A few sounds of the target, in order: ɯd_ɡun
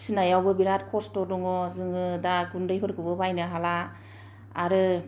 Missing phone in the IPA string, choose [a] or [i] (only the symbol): a